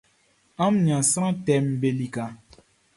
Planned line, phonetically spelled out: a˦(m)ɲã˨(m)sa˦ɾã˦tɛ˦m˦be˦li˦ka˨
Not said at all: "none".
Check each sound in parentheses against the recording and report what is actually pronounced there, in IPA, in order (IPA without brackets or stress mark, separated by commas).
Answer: m, none